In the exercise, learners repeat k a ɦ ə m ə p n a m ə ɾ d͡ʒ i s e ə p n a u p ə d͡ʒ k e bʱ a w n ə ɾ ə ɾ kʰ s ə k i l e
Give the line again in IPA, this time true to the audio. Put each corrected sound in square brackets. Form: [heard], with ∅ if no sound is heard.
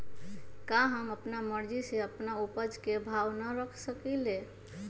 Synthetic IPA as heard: k a ɦ ə m ə p n a m ə ɾ d͡ʒ i s e ə p n a u p ə d͡ʒ k e bʱ a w n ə ɾ ə [∅] kʰ s ə k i l e